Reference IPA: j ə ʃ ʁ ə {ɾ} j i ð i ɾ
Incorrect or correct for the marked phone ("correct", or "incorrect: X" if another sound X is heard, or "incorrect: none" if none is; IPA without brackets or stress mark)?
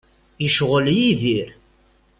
incorrect: l